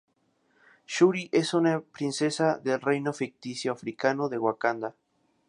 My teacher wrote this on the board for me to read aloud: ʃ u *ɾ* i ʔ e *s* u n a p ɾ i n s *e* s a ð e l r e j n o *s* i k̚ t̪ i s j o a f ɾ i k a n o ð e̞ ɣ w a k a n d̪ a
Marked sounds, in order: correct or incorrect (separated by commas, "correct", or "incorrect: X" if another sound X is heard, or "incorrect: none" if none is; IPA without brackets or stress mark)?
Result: correct, correct, correct, incorrect: f